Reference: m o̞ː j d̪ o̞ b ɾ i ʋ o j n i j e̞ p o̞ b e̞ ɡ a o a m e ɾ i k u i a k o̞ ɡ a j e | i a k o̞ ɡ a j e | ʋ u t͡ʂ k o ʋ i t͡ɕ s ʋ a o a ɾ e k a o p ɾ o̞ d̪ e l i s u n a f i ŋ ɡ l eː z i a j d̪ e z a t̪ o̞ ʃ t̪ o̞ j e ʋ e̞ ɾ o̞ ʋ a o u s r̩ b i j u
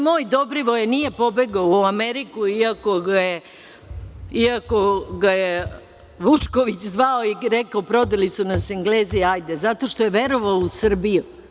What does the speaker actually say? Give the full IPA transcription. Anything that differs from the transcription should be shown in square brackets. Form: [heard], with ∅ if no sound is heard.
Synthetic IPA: m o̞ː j d̪ o̞ b ɾ i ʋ o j n i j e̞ p o̞ b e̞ ɡ a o a m e ɾ i k u i a k o̞ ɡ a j e | i a k o̞ ɡ a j e | ʋ u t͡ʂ k o ʋ i t͡ɕ [z] ʋ a o [i] ɾ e k a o p ɾ o̞ d̪ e l i s u n a [s] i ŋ ɡ l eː z i a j d̪ e z a t̪ o̞ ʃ t̪ o̞ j e ʋ e̞ ɾ o̞ ʋ a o u s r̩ b i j u